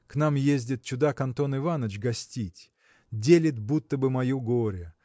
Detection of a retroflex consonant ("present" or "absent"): absent